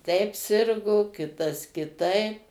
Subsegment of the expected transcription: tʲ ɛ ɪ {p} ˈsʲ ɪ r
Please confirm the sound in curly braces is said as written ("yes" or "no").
yes